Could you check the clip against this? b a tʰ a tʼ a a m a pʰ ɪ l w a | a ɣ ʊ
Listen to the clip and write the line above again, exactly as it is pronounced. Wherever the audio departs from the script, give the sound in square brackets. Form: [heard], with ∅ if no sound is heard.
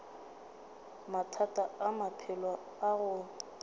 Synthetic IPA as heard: [m] a tʰ a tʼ a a m a pʰ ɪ l w a | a ɣ ʊ